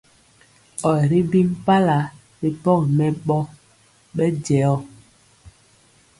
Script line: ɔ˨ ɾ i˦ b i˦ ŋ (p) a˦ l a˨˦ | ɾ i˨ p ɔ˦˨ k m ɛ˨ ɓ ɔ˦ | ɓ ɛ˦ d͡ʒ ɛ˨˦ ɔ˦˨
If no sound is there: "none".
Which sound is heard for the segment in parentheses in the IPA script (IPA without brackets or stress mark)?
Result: p